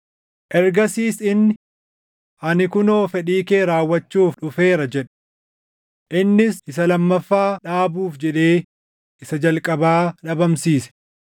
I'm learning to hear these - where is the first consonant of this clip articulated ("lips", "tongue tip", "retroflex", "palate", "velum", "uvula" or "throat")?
throat